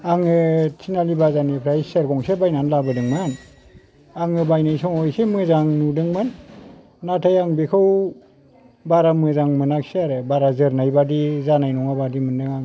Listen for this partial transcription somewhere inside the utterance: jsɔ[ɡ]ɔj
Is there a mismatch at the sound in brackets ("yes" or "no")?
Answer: yes